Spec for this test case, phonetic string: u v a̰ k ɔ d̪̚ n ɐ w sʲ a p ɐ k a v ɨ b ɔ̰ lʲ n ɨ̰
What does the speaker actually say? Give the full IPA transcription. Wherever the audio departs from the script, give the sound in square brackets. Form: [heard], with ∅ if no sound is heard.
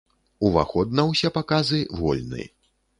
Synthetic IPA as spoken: u v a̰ [x] ɔ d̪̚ n ɐ w sʲ [ɛ] p [a] k a [z] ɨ [v] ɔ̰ lʲ n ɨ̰